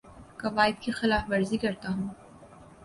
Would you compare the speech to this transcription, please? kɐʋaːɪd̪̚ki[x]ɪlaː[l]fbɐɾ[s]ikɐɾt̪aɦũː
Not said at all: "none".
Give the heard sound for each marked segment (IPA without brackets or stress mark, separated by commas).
x, none, z